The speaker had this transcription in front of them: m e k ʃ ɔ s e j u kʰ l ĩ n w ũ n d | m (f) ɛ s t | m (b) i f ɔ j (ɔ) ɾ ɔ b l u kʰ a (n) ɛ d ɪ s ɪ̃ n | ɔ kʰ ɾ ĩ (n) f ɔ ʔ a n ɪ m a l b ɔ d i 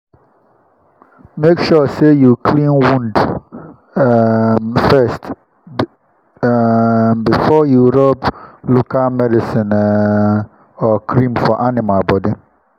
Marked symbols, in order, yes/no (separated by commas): yes, yes, no, no, no